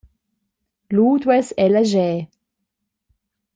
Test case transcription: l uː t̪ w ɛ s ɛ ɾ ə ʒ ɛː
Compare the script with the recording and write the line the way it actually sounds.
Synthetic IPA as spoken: l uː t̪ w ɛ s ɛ l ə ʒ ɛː